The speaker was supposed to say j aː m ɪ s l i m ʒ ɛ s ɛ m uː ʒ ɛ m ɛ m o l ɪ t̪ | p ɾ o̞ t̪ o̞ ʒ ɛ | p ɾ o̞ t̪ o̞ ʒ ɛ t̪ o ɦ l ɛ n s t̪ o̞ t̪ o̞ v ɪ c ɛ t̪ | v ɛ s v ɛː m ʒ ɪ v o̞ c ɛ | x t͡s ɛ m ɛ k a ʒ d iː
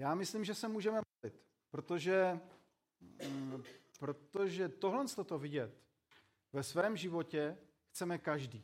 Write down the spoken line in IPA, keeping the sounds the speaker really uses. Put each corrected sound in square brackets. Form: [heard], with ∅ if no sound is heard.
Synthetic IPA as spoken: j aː m ɪ s l i m ʒ ɛ s ɛ m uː ʒ ɛ m ɛ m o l ɪ t̪ | p ɾ o̞ t̪ o̞ ʒ ɛ | p ɾ o̞ t̪ o̞ ʒ ɛ t̪ o ɦ l ɛ n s t̪ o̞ t̪ o̞ v ɪ [ɟ] ɛ t̪ | v ɛ s v ɛː m ʒ ɪ v o̞ c ɛ | x t͡s ɛ m ɛ k a ʒ d iː